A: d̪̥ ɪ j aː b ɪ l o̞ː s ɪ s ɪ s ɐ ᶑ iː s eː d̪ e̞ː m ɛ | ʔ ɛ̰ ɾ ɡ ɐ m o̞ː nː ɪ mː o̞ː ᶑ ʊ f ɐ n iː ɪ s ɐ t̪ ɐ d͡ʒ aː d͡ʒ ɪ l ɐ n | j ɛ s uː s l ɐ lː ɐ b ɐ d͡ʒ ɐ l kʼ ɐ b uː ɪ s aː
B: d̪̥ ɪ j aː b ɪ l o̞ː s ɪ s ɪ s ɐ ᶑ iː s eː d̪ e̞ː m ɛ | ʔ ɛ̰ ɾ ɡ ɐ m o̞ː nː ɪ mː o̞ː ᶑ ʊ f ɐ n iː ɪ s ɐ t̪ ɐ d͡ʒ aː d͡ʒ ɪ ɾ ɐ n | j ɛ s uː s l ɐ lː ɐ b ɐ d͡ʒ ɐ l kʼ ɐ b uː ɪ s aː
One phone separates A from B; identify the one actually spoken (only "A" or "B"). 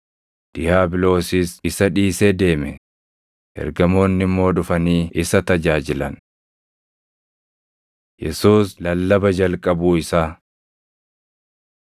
A